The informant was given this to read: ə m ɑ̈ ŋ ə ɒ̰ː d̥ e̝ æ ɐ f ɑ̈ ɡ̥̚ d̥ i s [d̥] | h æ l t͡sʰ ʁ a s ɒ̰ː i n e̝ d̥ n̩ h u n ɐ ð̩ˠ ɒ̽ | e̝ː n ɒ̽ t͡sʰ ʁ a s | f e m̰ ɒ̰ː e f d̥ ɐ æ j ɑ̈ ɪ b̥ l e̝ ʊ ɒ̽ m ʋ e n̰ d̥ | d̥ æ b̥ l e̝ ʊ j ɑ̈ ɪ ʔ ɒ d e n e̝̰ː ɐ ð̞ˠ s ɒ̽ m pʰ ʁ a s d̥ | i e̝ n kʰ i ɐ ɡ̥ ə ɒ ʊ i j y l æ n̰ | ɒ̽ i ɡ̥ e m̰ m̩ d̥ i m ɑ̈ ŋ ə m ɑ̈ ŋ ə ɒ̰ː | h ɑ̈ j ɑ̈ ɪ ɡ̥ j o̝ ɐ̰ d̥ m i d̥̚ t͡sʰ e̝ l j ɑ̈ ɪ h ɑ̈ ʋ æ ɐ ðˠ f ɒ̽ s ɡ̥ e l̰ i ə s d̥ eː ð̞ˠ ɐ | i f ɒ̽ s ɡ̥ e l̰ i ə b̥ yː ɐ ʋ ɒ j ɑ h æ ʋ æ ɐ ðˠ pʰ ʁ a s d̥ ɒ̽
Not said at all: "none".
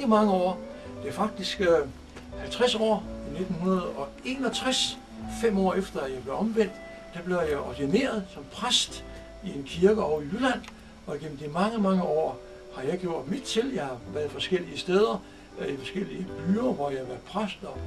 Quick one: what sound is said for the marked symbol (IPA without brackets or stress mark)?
ɡ̥